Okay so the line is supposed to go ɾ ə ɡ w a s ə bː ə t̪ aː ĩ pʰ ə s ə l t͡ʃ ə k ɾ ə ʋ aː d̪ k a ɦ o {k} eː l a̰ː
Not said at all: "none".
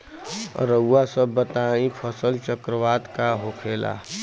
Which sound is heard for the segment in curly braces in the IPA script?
kʰ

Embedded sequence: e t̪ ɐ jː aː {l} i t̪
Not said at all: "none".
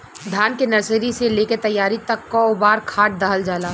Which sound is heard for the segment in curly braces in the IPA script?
ɾ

